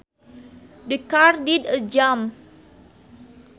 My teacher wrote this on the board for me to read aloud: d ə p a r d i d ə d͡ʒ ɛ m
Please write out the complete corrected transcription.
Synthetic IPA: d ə k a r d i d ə d͡ʒ a m